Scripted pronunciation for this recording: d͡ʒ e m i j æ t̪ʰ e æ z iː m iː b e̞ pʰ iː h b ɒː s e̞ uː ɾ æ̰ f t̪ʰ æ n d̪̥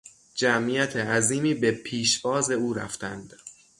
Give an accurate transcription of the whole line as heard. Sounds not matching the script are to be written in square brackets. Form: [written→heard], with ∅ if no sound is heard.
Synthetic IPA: d͡ʒ [e→æ] m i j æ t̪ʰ e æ z iː m iː b e̞ pʰ iː [h→ʃ] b ɒː [s→z] e̞ uː ɾ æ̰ f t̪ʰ æ n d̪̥